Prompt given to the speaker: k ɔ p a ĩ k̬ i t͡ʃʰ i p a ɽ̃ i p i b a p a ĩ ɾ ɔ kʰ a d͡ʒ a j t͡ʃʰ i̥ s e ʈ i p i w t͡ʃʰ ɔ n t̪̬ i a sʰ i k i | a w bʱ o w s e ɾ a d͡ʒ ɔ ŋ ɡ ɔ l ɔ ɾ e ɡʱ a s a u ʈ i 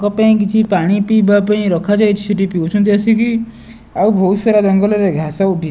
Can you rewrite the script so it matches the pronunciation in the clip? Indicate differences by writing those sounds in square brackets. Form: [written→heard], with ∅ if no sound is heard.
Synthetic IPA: k ɔ p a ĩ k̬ i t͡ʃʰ i p a ɽ̃ i p i b a p a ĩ ɾ ɔ kʰ a d͡ʒ a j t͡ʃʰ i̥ s e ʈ i p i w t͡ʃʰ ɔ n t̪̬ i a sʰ i k i | a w bʱ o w s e ɾ a d͡ʒ ɔ ŋ ɡ ɔ l ɔ ɾ e ɡʱ a s a u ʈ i